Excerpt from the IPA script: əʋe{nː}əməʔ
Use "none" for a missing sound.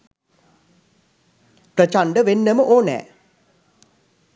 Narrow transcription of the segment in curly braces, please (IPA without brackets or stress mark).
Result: nː